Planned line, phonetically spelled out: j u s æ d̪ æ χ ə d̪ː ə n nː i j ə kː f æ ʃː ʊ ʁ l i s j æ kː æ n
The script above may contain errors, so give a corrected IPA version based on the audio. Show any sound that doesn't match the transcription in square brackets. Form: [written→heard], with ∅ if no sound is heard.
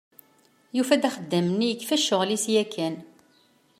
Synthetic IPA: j u [s→f] æ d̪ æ χ ə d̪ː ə [n→m] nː i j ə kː f æ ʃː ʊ ʁ l i s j æ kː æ n